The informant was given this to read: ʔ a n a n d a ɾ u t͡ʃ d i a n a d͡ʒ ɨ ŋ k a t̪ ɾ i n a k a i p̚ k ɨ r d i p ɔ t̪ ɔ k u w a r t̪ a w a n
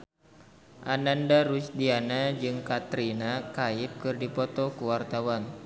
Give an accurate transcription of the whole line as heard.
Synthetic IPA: ʔ a n a n d a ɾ u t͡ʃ d i a n a d͡ʒ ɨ ŋ k a t̪ ɾ i n a k a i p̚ k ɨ r d i p ɔ t̪ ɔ k u w a r t̪ a w a n

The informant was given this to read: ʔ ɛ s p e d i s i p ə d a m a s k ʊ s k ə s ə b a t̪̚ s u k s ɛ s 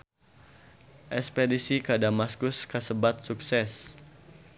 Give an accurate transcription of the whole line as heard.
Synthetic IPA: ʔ ɛ s p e d i s i k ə d a m a s k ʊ s k ə s ə b a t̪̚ s u k s ɛ s

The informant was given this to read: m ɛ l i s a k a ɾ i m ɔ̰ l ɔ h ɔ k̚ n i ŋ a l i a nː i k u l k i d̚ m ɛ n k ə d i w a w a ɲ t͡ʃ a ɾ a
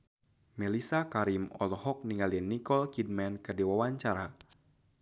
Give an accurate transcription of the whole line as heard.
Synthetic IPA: m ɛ l i s a k a ɾ i m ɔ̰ l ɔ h ɔ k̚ n i ŋ a l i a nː i k ɔ l k i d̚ m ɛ n k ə d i w a w a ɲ t͡ʃ a ɾ a

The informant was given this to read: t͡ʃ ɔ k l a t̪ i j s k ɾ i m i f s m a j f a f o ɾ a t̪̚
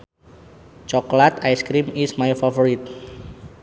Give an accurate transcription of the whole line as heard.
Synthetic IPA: t͡ʃ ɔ k l a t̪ a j s k ɾ i m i s m a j f a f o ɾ i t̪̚

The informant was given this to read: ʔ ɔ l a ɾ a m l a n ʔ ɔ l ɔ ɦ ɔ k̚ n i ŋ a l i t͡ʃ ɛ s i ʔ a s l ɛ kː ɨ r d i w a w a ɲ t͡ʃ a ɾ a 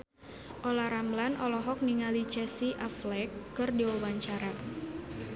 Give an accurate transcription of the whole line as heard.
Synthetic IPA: ʔ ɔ l a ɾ a m l a n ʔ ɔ l ɔ ɦ ɔ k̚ n i ŋ a l i t͡ʃ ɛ s i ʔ a f l ɛ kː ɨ r d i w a w a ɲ t͡ʃ a ɾ a

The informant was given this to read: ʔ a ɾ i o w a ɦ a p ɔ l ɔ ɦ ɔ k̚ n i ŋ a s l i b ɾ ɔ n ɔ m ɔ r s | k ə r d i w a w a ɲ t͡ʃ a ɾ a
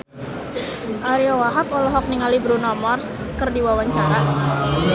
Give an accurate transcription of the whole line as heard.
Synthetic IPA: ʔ a ɾ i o w a ɦ a p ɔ l ɔ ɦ ɔ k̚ n i ŋ a l i b ɾ u n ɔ m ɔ r s | k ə r d i w a w a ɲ t͡ʃ a ɾ a

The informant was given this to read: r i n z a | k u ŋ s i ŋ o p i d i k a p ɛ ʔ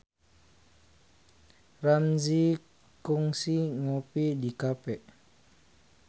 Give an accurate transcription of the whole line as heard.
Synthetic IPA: r a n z i | k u ŋ s i ŋ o p i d i k a p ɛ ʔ

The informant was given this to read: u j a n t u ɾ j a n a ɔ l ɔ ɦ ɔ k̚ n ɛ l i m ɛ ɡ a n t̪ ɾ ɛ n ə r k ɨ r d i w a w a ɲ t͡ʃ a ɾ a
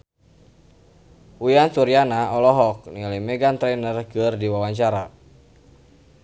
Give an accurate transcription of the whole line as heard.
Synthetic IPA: u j a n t u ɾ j a n a ɔ l ɔ ɦ ɔ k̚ n i l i m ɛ ɡ a n t̪ ɾ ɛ n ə r k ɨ r d i w a w a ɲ t͡ʃ a ɾ a

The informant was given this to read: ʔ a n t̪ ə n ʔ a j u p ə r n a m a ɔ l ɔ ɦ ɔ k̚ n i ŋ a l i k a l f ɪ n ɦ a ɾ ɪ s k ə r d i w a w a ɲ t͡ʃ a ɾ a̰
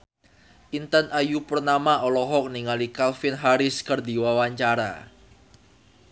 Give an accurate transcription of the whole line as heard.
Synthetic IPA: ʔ i n t̪ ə n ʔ a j u p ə r n a m a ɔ l ɔ ɦ ɔ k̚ n i ŋ a l i k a l f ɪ n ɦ a ɾ ɪ s k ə r d i w a w a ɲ t͡ʃ a ɾ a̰

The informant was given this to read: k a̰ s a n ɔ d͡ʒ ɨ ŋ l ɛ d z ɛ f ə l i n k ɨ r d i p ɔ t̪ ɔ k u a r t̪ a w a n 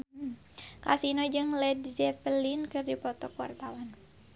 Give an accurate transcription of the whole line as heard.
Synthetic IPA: k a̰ s i n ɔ d͡ʒ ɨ ŋ l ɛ d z ɛ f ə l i n k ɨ r d i p ɔ t̪ ɔ k w a r t̪ a w a n

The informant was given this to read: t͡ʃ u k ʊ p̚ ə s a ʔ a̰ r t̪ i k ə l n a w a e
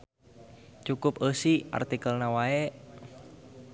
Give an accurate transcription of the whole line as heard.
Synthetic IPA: t͡ʃ u k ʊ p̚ ə s i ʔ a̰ r t̪ i k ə l n a w a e

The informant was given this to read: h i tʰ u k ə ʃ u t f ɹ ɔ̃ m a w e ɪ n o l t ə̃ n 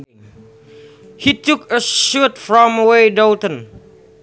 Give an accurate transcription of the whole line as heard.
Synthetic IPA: h i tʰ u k ə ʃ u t f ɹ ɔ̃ m ə w e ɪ d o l t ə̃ n

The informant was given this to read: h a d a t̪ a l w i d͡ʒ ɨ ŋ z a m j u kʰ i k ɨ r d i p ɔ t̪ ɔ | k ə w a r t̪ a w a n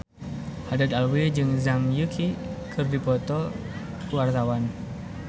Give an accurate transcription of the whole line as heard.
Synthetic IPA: h a d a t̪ a l w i d͡ʒ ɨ ŋ z a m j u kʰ i k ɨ r d i p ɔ t̪ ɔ | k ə w a r t̪ a w a n

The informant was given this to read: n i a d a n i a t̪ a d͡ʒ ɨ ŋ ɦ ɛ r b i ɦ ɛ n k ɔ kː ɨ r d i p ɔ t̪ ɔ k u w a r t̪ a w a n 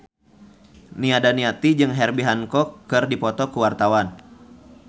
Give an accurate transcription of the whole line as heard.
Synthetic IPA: n i a d a n i a t̪ i d͡ʒ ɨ ŋ ɦ ɛ r b i ɦ a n k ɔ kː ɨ r d i p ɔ t̪ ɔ k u w a r t̪ a w a n

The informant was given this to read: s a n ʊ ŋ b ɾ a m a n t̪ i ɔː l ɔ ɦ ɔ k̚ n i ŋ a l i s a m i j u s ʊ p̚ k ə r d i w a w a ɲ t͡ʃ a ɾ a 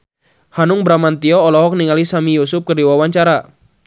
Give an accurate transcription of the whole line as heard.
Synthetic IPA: h a n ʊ ŋ b ɾ a m a n t̪ i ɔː l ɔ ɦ ɔ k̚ n i ŋ a l i s a m i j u s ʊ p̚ k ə r d i w a w a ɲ t͡ʃ a ɾ a

